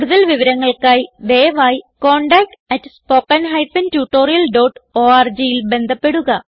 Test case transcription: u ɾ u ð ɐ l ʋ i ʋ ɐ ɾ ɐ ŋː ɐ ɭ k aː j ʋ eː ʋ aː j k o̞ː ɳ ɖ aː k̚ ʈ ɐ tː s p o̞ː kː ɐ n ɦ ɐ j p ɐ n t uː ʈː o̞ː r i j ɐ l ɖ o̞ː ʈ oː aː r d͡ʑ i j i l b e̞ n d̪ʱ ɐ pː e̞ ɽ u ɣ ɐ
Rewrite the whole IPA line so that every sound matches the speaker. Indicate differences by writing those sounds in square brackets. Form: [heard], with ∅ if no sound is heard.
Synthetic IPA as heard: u [ɽ] u ð ɐ l ʋ i ʋ ɐ ɾ ɐ ŋː ɐ ɭ k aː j ʋ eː ʋ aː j k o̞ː ɳ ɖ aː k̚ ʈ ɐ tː s p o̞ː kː ɐ n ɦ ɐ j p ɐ n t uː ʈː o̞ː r i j ɐ l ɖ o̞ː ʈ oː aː r d͡ʑ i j i l b e̞ n d̪ʱ ɐ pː e̞ ɽ u ɣ ɐ